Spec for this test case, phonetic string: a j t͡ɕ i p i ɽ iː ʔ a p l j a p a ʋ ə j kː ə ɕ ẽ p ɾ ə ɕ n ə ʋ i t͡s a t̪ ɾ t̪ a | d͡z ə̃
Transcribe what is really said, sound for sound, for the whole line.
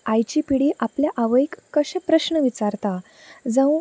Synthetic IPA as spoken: a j t͡ɕ i p i ɽ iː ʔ a p l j a ʔ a ʋ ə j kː ə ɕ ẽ p ɾ ə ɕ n ə ʋ i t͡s a ɾ t̪ a | d͡z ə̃